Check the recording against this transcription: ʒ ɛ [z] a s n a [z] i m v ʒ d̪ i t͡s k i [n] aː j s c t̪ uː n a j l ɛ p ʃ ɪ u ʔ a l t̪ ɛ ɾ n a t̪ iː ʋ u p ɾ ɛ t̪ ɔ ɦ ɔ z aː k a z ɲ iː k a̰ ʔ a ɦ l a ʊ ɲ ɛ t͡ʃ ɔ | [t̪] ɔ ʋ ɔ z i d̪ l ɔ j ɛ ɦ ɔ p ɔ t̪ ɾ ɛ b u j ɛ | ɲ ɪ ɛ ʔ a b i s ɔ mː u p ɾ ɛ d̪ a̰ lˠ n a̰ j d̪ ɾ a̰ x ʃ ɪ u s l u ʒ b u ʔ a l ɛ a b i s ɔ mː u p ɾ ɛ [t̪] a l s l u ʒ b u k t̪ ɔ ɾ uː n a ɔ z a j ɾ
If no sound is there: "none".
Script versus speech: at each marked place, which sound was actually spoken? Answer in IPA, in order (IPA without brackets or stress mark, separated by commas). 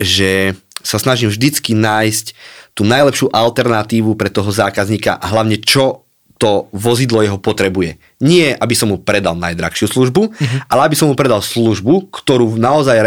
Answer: s, ʒ, n, t̪, d̪